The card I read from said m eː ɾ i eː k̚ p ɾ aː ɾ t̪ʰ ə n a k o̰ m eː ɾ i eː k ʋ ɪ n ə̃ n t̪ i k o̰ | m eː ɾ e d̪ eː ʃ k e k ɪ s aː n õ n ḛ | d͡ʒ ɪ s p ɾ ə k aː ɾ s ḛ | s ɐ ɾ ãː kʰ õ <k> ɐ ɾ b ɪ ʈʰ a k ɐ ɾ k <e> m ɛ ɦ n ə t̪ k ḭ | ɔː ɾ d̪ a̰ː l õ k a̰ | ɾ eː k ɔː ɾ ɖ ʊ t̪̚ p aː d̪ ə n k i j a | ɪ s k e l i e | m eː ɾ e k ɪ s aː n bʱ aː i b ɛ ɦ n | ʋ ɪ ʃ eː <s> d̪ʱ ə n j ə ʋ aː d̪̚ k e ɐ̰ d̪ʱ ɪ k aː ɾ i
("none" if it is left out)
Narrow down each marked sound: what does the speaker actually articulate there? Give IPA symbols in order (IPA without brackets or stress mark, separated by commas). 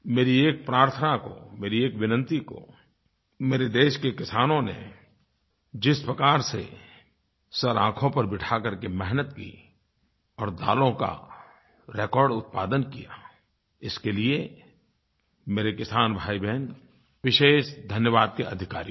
p, e, ʃ